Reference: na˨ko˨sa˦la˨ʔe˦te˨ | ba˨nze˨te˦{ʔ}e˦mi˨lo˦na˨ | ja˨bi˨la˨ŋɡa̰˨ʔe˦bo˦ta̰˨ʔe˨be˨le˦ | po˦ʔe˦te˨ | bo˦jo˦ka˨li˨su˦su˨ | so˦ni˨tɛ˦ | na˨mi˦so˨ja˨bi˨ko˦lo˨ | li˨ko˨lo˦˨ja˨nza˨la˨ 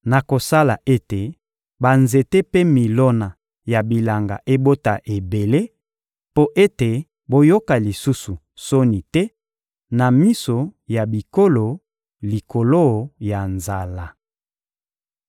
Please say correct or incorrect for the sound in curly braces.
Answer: incorrect